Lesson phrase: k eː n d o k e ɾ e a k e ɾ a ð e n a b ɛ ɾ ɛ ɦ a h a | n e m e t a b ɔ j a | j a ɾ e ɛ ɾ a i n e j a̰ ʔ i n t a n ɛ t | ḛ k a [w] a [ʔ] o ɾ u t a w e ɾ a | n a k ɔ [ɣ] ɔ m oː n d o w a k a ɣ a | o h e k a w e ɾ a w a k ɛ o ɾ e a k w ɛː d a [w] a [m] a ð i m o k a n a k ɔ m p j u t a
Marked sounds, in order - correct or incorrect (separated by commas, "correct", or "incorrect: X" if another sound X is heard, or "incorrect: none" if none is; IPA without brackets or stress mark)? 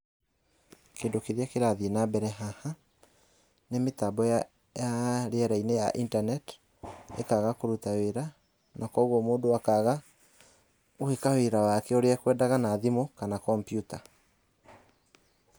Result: incorrect: ɣ, incorrect: k, correct, incorrect: ɣ, incorrect: n